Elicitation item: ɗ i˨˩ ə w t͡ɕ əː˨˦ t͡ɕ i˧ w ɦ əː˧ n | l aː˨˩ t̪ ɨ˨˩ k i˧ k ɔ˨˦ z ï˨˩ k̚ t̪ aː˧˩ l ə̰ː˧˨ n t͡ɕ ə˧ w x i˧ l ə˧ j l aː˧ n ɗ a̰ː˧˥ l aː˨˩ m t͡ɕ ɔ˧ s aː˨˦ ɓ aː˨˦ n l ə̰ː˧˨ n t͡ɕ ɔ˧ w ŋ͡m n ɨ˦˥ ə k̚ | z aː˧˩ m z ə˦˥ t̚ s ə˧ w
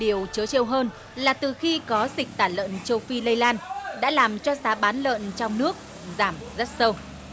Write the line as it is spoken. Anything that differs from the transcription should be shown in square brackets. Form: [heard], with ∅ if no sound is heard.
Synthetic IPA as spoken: ɗ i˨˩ ə w t͡ɕ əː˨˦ t͡ɕ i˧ w ɦ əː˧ n | l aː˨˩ t̪ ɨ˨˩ [x] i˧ k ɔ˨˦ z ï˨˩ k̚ t̪ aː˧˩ l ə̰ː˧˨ n t͡ɕ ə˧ w [f] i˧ l ə˧ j l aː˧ n ɗ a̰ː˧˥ l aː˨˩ m t͡ɕ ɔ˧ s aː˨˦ ɓ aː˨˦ n l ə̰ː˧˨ n t͡ɕ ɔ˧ w ŋ͡m n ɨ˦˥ ə k̚ | z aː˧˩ m z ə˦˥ t̚ s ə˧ w

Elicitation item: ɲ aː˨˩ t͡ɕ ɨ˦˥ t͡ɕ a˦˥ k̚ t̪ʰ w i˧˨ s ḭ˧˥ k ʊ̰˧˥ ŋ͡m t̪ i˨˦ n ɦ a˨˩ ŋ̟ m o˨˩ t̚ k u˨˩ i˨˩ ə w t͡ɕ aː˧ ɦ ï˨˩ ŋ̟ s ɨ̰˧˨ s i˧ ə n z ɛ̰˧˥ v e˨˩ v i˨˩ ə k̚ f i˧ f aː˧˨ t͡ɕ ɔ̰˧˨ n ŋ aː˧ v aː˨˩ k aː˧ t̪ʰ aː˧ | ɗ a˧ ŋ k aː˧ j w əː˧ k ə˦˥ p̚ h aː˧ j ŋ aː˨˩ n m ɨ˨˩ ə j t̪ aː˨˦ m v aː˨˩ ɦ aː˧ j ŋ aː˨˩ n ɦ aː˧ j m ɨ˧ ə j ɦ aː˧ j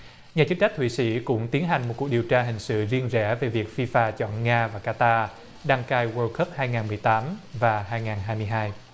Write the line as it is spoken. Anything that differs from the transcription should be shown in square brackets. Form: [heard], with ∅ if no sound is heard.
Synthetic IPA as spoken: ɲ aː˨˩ t͡ɕ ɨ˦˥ t͡ɕ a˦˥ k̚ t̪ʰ w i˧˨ s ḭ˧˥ k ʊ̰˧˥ ŋ͡m t̪ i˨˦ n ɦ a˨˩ ŋ̟ m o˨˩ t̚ k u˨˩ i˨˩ ə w t͡ɕ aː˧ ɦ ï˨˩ ŋ̟ s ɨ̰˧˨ [z] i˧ ə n z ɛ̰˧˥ v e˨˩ v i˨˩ ə k̚ f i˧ f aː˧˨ t͡ɕ ɔ̰˧˨ n ŋ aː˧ v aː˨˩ k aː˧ [t̪] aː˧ | ɗ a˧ ŋ k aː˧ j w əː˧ k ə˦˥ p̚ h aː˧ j ŋ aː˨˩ n m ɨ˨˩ ə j t̪ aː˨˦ m v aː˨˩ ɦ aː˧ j ŋ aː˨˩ n ɦ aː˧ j m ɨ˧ ə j ɦ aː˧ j

